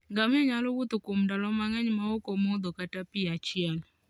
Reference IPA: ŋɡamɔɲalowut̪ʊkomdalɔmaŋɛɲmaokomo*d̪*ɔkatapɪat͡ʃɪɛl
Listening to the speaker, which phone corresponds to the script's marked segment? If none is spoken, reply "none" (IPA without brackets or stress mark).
d̪